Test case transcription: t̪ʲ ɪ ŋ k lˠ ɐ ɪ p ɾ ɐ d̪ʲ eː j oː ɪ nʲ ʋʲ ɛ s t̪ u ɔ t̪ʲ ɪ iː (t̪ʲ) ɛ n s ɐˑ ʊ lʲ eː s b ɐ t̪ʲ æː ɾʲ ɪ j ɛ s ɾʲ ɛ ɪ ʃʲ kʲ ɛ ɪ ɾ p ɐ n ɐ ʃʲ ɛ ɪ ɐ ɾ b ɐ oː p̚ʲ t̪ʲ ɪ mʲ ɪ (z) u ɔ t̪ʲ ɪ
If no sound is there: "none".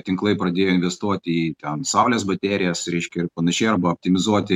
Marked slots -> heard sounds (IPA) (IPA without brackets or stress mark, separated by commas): t̪ʲ, z